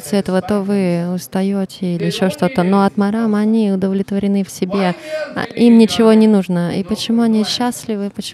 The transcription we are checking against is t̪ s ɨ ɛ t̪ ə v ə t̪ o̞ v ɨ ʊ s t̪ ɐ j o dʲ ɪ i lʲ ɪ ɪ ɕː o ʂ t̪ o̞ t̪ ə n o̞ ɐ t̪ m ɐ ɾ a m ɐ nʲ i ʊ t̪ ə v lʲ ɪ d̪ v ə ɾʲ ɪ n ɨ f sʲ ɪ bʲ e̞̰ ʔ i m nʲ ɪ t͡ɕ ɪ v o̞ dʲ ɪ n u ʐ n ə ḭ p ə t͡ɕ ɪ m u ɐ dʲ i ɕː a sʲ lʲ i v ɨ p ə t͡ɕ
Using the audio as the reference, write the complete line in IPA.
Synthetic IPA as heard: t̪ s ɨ ɛ t̪ ə v ə t̪ o̞ v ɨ ʊ s t̪ ɐ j o tʲ ɪ i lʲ ɪ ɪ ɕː o ʂ t̪ o̞ t̪ ə n o̞ ɐ t̪ m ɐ ɾ a m ɐ nʲ i ʊ d̪ ə v lʲ ɪ t̪ v ə ɾʲ ɪ n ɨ f sʲ ɪ bʲ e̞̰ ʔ i m nʲ ɪ t͡ɕ ɪ v o̞ nʲ ɪ n u ʐ n ə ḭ p ə t͡ɕ ɪ m u ɐ nʲ i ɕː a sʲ lʲ ɪ v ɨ p ə t͡ɕ

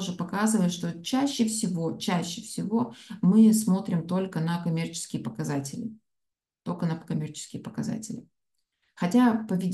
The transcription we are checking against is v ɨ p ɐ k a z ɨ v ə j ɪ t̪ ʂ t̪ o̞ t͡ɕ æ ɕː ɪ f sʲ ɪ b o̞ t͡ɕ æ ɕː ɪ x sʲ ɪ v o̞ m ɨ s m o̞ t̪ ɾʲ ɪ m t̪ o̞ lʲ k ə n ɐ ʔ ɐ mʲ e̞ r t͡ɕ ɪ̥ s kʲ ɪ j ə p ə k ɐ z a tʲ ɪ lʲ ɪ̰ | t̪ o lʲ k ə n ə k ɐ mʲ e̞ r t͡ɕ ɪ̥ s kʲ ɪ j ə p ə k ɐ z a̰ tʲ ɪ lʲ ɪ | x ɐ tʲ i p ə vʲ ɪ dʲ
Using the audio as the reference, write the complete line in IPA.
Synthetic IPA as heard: ʐ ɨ p ɐ k a z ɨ v ə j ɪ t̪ ʂ t̪ o̞ t͡ɕ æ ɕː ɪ f sʲ ɪ v o̞ t͡ɕ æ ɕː ɪ f sʲ ɪ v o̞ m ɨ s m o̞ t̪ ɾʲ ɪ m t̪ o̞ lʲ k ə n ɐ k ɐ mʲ e̞ r t͡ɕ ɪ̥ s kʲ ɪ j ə p ə k ɐ z a tʲ ɪ lʲ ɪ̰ | t̪ o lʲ k ə n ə k ɐ mʲ e̞ r t͡ɕ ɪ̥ s kʲ ɪ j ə p ə k ɐ z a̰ tʲ ɪ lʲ ɪ | x ɐ tʲ a p ə vʲ ɪ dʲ

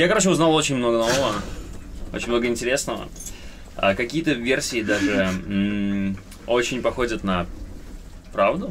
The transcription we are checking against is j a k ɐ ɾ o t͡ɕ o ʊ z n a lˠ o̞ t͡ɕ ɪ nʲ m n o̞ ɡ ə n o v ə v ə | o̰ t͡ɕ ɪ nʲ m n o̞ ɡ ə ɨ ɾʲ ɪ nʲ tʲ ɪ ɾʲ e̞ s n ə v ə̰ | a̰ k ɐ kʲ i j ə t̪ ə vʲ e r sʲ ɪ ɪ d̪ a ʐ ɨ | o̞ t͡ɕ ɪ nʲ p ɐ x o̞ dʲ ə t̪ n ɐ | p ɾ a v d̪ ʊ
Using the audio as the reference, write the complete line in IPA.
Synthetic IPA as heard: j a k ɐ ɾ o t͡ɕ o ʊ z n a lˠ o̞ t͡ɕ ɪ nʲ m n o̞ ɡ ə n o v ə v ə | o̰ t͡ɕ ɪ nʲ m n o̞ ɡ ə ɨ ɪ nʲ tʲ ɪ ɾʲ e̞ s n ə v ə̰ | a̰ k ɐ kʲ i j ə t̪ ə vʲ e r sʲ ɪ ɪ d̪ a ʐ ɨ | o̞ t͡ɕ ɪ nʲ p ɐ x o̞ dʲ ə t̪ n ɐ | p ɾ a v d̪ ʊ

